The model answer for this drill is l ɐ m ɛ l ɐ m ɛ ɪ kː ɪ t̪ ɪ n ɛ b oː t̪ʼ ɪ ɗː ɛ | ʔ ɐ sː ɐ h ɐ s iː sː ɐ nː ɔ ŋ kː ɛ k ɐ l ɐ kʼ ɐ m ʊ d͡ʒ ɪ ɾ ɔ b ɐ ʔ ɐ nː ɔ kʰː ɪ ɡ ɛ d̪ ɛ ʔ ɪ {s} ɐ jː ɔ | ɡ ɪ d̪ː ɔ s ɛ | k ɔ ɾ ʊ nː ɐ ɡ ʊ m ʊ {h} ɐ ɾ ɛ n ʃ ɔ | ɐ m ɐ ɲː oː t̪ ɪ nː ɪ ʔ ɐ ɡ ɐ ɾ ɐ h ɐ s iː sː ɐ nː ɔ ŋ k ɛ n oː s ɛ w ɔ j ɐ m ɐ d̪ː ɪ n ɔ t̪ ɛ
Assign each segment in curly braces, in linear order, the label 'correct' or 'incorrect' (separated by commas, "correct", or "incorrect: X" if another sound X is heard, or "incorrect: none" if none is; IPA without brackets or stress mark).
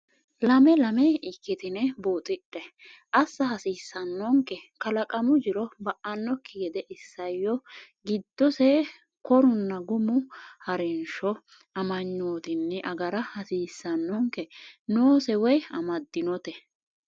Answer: incorrect: sː, correct